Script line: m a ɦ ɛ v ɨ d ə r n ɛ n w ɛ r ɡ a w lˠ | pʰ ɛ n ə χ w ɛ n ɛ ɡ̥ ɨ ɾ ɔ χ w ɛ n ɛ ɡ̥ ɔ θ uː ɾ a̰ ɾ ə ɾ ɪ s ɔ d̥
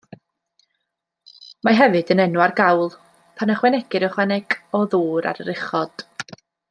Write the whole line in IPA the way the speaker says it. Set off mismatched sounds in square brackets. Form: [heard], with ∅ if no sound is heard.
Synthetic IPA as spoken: m a ɦ ɛ v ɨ d ə [∅] n ɛ n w [a] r ɡ a w lˠ | pʰ [a] n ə χ w ɛ n ɛ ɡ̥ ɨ ɾ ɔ χ w ɛ n ɛ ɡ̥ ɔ [ð] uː ɾ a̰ ɾ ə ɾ ɪ [χ] ɔ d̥